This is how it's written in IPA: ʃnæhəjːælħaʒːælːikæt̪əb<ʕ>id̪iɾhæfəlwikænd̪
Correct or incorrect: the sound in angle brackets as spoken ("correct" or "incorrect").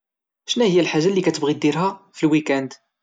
incorrect